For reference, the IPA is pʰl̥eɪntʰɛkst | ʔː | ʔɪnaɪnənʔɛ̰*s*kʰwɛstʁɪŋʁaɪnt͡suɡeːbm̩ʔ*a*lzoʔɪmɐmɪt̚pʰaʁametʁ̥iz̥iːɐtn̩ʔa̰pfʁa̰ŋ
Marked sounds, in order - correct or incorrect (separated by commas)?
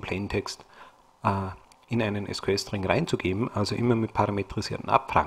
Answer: correct, correct